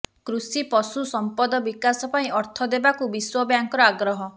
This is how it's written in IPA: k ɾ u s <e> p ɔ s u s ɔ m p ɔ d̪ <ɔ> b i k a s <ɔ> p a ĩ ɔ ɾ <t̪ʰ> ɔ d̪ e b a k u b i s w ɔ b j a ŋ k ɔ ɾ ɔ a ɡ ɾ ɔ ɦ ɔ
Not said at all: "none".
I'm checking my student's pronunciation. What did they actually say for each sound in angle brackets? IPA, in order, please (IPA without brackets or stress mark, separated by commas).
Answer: i, ɔ, ɔ, t̪ʰ